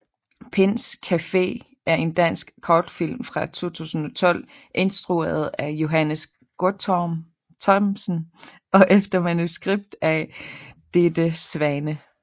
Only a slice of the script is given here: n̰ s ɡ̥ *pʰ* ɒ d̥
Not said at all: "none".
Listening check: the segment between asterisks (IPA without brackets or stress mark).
kʰ